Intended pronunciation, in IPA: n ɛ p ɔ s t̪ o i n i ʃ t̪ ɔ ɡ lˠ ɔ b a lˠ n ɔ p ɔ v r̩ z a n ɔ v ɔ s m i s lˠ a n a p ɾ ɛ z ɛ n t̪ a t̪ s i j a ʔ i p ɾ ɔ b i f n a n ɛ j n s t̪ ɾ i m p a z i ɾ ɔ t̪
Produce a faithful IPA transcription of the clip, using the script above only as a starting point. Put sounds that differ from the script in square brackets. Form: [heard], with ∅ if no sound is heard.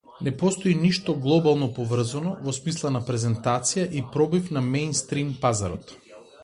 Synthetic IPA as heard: n ɛ p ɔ s t̪ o i n i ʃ t̪ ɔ ɡ lˠ ɔ b a lˠ n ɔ p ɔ v r̩ z a n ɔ v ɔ s m i s lˠ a n a p ɾ ɛ z ɛ n t̪ a t̪ s i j a ʔ i p ɾ ɔ b i f n a [m] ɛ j n s t̪ ɾ i m p a z [a] ɾ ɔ t̪